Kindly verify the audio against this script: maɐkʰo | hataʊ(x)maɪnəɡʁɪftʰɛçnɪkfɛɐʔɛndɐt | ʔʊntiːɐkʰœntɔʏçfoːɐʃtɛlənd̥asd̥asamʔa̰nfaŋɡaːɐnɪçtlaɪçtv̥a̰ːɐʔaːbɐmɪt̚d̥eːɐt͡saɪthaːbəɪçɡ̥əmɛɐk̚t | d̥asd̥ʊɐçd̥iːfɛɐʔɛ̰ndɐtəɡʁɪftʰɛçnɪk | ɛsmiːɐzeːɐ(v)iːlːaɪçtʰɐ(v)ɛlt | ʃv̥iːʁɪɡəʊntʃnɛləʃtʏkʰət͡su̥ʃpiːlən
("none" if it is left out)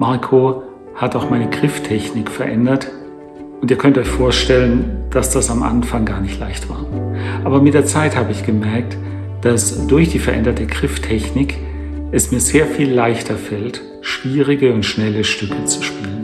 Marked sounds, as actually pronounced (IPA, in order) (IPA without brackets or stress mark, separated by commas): x, f, f